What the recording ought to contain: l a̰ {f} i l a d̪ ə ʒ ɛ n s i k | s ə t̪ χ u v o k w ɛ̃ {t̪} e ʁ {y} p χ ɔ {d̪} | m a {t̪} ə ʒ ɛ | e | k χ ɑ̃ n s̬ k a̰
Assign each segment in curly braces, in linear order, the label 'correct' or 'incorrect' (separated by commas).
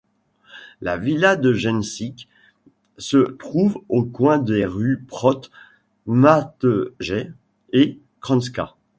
incorrect, incorrect, correct, incorrect, correct